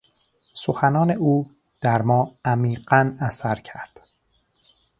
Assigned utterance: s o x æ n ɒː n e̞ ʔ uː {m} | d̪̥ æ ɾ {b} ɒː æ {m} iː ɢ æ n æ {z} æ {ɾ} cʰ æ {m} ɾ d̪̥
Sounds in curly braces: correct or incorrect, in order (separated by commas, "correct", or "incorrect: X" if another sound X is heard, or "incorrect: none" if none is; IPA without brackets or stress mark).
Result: incorrect: none, incorrect: m, correct, incorrect: s, correct, incorrect: none